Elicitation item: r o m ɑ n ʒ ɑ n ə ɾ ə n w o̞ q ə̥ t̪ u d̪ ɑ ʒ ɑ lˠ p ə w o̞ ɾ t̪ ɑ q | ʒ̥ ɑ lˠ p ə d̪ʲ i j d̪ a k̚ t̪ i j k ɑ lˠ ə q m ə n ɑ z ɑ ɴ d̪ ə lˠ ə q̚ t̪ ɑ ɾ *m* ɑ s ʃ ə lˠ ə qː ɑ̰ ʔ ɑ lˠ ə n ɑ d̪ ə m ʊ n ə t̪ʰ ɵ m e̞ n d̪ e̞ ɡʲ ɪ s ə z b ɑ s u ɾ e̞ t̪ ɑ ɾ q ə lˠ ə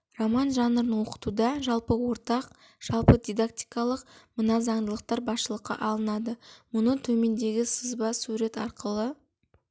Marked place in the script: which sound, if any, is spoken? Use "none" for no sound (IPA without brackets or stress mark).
b